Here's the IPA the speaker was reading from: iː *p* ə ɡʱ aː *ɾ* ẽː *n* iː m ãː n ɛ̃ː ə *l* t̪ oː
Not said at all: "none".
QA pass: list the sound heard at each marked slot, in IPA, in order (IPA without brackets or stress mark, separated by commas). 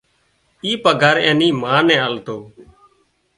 p, ɾ, n, l